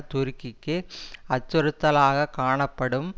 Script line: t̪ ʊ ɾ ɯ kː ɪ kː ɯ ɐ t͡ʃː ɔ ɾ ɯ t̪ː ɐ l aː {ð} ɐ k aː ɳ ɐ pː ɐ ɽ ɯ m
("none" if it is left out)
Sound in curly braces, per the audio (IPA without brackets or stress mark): ɣ